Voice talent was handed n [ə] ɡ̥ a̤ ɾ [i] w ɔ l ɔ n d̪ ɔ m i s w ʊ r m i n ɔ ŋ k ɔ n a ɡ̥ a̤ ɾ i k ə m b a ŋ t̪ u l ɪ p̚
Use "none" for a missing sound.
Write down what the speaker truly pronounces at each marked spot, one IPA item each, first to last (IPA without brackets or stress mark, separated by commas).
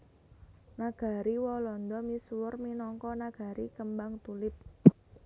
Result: a, i